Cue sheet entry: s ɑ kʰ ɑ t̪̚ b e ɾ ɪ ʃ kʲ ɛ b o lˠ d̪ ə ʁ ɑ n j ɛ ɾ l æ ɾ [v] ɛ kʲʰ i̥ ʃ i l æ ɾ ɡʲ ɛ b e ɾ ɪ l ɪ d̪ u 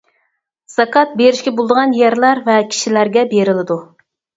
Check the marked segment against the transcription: correct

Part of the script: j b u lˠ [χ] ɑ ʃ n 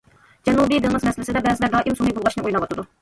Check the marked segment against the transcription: incorrect: ʁ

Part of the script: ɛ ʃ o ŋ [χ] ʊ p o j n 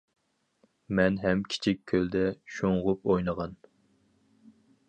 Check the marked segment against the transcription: incorrect: ʁ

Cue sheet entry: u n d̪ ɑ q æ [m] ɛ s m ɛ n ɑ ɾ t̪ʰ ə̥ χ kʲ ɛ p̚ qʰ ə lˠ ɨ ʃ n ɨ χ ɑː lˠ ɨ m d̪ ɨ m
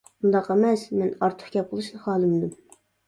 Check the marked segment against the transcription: correct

